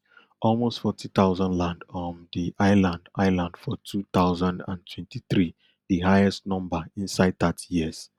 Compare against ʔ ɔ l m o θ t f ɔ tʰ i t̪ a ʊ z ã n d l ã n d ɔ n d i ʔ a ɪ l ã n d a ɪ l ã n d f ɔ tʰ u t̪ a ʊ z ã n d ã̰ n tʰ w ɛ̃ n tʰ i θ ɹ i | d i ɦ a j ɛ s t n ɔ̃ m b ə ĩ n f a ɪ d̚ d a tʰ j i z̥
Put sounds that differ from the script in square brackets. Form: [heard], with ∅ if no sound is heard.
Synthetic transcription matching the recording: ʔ ɔ l m o [s] t f ɔ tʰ i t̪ a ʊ z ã n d l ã n d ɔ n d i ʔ a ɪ l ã n d a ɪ l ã n d f ɔ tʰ u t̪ a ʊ z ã n d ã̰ n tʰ w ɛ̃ n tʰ i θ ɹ i | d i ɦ a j ɛ s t n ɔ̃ m b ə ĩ n [s] a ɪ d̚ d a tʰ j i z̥